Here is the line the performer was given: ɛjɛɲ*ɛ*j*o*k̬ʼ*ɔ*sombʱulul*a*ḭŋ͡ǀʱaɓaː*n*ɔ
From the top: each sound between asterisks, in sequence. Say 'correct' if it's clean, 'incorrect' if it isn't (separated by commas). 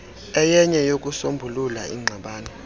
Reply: correct, correct, incorrect, correct, correct